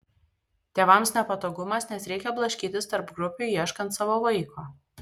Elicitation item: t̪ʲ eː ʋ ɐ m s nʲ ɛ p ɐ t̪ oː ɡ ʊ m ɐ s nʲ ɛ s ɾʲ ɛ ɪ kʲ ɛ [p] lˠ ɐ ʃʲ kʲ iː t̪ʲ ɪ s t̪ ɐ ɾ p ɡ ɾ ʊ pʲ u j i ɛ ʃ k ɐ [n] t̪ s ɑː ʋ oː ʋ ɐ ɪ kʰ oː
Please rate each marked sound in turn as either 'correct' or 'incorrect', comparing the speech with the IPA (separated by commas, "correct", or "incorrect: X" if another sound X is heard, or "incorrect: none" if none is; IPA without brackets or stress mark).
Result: incorrect: b, correct